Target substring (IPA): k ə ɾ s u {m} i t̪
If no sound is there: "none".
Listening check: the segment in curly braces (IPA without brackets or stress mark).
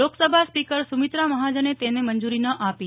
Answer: m